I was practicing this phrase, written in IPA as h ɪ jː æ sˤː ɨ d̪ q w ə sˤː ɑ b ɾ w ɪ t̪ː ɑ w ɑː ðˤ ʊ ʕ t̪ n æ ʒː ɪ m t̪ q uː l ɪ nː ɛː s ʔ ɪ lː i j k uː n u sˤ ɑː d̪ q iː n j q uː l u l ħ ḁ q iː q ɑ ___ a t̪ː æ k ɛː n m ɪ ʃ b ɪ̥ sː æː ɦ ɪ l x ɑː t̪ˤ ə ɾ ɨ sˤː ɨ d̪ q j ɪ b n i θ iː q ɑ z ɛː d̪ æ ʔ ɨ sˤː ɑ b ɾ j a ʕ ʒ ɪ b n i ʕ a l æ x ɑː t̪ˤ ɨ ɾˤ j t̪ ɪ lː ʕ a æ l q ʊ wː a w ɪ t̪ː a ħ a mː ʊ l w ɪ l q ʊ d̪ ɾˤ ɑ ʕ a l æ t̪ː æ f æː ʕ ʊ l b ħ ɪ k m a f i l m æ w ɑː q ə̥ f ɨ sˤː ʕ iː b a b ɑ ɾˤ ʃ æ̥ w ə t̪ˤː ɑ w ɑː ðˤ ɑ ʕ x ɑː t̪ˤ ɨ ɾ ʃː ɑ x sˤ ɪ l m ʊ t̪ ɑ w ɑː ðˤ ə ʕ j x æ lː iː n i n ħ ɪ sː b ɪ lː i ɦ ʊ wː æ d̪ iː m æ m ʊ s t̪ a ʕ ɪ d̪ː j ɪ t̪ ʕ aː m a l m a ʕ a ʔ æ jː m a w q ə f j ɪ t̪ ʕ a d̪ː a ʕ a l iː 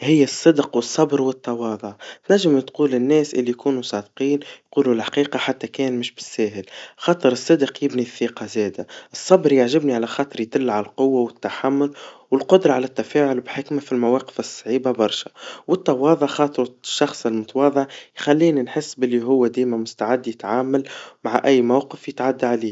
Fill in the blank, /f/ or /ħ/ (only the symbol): ħ